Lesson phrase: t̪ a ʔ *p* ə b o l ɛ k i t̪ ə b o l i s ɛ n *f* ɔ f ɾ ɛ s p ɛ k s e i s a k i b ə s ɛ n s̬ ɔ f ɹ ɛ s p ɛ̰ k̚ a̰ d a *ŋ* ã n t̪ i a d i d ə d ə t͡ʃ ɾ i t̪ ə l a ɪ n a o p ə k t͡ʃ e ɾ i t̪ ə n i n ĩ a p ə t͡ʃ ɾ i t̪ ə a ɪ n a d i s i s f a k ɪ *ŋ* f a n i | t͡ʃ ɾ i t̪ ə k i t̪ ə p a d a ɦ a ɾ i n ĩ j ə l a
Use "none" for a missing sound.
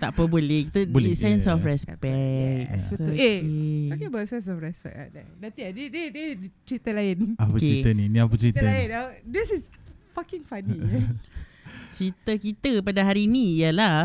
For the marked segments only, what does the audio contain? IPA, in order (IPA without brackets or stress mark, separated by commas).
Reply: p, s, n, ŋ